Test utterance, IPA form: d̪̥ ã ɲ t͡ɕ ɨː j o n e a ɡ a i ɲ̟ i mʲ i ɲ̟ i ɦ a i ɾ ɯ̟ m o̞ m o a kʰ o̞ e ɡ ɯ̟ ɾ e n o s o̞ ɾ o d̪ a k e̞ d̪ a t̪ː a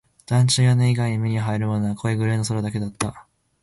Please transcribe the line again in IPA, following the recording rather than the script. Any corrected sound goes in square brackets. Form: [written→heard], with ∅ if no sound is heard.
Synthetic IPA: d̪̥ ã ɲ t͡ɕ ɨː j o n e [a→i] ɡ a i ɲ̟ i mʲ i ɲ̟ i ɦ a i ɾ ɯ̟ m o̞ [m→n] o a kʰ o̞ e ɡ ɯ̟ ɾ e n o s o̞ ɾ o d̪ a k e̞ d̪ a t̪ː a

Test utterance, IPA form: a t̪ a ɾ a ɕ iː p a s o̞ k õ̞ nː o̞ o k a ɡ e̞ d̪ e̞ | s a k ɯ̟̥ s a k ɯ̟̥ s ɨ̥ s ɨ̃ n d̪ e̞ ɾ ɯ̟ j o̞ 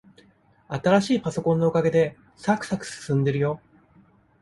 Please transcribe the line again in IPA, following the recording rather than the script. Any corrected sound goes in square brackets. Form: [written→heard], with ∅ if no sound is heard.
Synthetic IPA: a t̪ a ɾ a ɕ iː p a s o̞ k õ̞ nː o̞ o k a ɡ e̞ d̪ e̞ | s a k ɯ̟̥ s a k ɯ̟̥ s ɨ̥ s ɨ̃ n d̪ e̞ ɾ ɯ̟ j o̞

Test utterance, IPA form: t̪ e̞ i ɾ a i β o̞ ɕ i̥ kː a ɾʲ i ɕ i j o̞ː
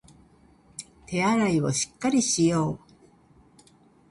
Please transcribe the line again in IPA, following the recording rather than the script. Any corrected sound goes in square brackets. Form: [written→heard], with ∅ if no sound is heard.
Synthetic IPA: t̪ e̞ [i→a] ɾ a i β o̞ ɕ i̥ kː a ɾʲ i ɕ i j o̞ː

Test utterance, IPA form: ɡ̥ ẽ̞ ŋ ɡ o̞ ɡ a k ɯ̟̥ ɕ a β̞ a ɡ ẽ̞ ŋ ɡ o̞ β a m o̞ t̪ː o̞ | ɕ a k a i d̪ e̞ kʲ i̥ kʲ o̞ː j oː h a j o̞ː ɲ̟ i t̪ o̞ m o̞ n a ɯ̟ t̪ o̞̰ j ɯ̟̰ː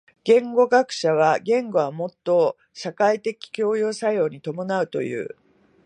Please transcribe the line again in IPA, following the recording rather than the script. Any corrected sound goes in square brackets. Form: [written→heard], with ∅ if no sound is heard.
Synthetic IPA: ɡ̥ ẽ̞ ŋ ɡ o̞ ɡ a k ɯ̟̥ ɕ a β̞ a ɡ ẽ̞ ŋ ɡ o̞ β a m o̞ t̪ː o̞ | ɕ a k a i [d̪→t̪] e̞ kʲ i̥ kʲ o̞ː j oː [h→s] a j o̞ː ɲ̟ i t̪ o̞ m o̞ n a ɯ̟ t̪ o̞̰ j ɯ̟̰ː

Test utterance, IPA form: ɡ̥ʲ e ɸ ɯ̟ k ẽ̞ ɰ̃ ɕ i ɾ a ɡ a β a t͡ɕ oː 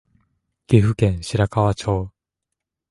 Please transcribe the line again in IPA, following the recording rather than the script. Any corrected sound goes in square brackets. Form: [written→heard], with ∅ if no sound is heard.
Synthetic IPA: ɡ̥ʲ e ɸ ɯ̟ k ẽ̞ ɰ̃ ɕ i ɾ a [ɡ→k] a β a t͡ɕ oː

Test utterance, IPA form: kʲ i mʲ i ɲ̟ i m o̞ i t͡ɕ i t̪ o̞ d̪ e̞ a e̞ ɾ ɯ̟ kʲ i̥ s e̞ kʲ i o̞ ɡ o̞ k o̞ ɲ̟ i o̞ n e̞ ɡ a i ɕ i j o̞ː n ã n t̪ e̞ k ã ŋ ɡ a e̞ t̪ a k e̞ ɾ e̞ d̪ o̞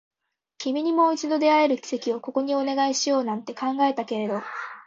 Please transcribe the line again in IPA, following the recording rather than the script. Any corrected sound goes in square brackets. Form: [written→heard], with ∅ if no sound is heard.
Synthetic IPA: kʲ i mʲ i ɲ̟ i m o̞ i t͡ɕ i [t̪→d̪] o̞ d̪ e̞ a e̞ ɾ ɯ̟ kʲ i̥ s e̞ kʲ i o̞ [ɡ→k] o̞ k o̞ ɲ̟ i o̞ n e̞ ɡ a i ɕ i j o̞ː n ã n t̪ e̞ k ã ŋ ɡ a e̞ t̪ a k e̞ ɾ e̞ d̪ o̞

